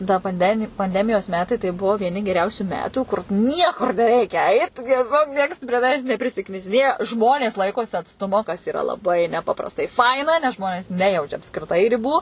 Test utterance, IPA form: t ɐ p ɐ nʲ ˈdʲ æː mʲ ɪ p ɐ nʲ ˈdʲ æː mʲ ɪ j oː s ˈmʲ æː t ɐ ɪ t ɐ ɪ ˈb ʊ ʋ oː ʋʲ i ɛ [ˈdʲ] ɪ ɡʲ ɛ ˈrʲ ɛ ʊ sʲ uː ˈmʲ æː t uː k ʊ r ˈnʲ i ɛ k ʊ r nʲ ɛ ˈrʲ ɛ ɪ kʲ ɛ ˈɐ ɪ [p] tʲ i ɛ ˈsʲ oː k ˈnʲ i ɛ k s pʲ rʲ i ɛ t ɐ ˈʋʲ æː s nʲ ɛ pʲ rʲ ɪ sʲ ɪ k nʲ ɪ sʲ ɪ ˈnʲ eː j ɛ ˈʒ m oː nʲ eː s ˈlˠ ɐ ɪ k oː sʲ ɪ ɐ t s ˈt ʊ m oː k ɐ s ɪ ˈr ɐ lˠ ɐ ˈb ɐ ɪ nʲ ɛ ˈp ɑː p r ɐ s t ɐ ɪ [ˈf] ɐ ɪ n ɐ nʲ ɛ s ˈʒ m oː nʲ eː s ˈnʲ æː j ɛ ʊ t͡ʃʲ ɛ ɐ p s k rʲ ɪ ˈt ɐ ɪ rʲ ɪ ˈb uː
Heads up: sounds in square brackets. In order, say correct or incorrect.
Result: incorrect: nʲ, incorrect: t, correct

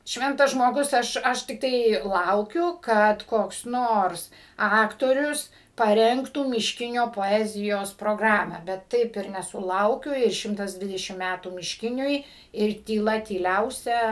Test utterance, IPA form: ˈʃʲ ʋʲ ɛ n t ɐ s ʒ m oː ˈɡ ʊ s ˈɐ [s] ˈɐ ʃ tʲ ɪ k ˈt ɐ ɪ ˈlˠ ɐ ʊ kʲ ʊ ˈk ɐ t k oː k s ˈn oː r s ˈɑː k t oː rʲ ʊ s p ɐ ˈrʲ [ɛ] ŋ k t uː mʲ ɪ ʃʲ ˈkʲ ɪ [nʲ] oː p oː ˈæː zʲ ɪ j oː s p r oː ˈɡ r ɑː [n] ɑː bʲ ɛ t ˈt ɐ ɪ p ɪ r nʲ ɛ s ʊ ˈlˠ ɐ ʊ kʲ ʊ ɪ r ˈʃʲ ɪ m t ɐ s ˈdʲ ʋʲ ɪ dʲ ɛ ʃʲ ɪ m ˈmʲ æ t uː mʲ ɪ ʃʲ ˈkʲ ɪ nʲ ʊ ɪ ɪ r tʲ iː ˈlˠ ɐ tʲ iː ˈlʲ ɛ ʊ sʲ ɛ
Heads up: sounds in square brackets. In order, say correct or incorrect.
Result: incorrect: ʃ, correct, correct, incorrect: m

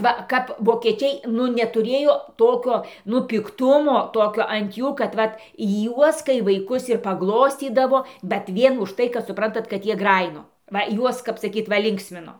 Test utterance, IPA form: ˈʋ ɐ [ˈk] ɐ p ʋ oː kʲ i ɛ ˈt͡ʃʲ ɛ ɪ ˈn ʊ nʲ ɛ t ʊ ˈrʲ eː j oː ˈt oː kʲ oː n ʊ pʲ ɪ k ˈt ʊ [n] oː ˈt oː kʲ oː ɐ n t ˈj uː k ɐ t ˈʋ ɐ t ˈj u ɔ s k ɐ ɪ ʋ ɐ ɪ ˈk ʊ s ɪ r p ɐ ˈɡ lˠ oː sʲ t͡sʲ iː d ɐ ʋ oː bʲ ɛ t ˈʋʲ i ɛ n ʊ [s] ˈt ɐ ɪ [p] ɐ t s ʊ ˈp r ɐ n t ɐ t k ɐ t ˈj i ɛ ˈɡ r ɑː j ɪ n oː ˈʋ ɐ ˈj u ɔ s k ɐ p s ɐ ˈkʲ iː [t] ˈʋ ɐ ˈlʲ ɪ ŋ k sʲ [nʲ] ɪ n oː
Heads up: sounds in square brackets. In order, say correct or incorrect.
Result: correct, incorrect: m, incorrect: ʃ, incorrect: k, correct, incorrect: mʲ

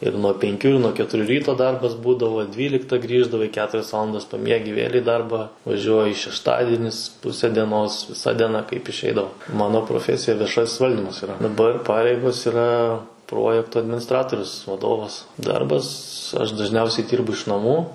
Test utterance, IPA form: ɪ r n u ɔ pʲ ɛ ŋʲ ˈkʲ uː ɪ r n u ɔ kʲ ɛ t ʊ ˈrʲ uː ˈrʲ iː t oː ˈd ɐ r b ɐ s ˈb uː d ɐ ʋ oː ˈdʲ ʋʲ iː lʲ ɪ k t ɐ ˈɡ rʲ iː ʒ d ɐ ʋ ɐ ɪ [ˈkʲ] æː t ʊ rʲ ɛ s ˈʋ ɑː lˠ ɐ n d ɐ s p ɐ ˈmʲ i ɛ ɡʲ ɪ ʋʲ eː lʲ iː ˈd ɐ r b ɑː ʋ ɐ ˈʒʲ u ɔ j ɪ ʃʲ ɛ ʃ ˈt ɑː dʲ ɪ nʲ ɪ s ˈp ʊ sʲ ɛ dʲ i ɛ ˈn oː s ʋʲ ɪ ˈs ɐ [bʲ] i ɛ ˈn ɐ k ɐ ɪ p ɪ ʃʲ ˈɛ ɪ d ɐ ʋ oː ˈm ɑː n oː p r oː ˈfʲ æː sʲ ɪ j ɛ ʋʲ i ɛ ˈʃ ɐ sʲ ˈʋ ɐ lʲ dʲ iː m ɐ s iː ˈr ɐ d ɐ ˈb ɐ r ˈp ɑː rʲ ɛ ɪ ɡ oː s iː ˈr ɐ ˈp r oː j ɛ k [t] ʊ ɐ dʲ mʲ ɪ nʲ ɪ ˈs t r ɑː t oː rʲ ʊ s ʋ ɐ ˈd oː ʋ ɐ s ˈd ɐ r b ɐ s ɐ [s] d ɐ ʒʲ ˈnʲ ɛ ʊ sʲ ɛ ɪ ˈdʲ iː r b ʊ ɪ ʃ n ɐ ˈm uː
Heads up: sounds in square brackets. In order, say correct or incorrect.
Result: correct, incorrect: dʲ, correct, incorrect: ʃ

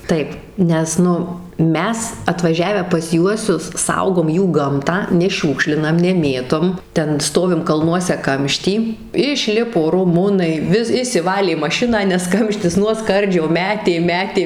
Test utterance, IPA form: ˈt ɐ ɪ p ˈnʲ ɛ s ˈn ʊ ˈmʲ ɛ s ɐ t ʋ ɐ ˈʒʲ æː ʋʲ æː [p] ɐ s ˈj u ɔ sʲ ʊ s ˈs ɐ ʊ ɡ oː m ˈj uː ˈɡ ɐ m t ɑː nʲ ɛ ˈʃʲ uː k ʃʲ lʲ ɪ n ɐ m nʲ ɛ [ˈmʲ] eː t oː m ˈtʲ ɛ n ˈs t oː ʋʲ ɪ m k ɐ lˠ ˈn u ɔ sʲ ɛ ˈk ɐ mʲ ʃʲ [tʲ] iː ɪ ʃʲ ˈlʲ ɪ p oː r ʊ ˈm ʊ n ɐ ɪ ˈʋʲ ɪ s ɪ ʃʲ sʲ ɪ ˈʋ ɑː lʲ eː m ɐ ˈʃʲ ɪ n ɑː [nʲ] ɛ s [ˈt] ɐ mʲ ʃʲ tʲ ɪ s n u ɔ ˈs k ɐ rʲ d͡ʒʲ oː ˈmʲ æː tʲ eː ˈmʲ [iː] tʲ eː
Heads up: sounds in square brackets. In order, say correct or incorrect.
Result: correct, correct, correct, correct, incorrect: k, incorrect: æː

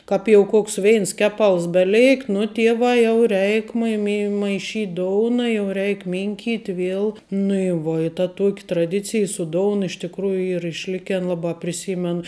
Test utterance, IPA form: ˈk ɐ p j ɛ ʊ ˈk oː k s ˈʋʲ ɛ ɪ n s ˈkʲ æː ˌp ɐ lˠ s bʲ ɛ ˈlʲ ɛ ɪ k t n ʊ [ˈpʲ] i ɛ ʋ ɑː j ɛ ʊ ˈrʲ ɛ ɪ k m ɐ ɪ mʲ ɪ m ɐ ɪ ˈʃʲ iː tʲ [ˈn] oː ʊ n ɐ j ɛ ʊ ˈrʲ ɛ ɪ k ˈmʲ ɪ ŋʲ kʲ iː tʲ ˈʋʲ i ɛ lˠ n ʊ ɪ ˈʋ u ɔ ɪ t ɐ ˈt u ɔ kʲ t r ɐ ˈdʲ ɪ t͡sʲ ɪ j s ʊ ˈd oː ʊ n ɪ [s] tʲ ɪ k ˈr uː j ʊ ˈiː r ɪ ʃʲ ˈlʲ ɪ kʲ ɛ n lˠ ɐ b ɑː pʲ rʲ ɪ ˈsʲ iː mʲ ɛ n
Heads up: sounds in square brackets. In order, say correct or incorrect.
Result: incorrect: tʲ, incorrect: d, incorrect: ʃ

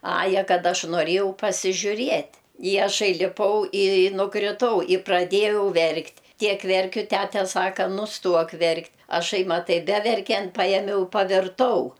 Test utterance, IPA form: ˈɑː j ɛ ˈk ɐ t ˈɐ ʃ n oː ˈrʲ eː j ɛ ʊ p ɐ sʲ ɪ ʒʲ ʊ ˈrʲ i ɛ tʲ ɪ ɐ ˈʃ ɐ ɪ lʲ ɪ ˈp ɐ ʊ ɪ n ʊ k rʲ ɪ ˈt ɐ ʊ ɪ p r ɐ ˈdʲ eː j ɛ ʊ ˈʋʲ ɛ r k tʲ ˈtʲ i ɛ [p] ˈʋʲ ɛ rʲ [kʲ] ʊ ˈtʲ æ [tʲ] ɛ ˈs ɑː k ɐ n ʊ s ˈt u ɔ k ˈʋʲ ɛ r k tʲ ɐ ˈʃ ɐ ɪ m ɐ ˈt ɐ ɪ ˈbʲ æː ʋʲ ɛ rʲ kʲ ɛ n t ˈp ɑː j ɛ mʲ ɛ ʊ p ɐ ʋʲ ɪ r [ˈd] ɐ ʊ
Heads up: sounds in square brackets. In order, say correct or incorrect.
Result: incorrect: k, correct, correct, incorrect: t

